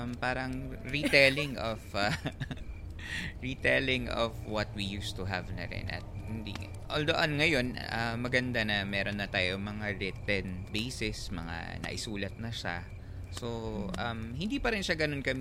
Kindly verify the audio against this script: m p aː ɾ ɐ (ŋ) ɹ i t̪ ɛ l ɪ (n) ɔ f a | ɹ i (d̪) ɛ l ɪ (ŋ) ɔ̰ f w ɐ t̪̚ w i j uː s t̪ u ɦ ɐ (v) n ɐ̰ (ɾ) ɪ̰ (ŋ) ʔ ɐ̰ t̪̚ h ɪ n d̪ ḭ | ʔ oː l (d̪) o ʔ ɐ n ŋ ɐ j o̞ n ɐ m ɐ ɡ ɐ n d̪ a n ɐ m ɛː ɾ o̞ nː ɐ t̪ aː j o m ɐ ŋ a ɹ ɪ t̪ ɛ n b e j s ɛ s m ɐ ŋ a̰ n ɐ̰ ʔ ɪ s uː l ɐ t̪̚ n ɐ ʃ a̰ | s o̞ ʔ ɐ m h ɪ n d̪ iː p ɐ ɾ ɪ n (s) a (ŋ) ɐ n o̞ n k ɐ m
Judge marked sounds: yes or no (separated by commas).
yes, no, no, yes, yes, yes, no, yes, no, no